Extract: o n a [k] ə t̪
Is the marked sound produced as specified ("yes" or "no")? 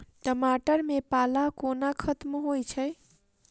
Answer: no